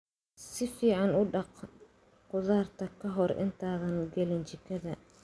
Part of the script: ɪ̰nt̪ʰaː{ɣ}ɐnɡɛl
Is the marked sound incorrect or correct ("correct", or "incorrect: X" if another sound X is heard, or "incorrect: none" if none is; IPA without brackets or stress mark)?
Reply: incorrect: ð